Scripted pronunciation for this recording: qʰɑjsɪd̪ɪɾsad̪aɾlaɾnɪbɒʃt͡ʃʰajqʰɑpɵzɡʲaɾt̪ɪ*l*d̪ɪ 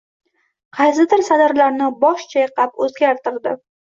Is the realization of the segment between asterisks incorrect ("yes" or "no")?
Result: yes